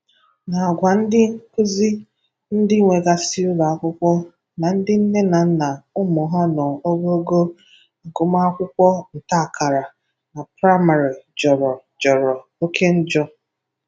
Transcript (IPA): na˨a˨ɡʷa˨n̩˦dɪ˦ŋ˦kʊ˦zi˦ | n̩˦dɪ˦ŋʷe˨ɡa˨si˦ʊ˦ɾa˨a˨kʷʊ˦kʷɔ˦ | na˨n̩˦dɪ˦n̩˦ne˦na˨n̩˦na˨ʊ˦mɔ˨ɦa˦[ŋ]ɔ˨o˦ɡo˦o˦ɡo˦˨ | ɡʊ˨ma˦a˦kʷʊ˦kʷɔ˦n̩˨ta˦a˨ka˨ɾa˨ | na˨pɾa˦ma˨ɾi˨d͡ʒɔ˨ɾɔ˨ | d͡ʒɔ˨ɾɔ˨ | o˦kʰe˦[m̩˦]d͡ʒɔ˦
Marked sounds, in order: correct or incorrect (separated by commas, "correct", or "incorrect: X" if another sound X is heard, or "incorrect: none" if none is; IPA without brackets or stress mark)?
incorrect: n, incorrect: n̩˦